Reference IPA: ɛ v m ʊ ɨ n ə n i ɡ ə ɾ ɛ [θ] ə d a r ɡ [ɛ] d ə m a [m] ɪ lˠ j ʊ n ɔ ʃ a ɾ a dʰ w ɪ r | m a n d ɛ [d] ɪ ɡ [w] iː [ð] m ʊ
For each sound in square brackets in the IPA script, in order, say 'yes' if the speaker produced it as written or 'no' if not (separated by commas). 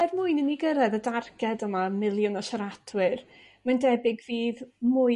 no, yes, yes, no, no, yes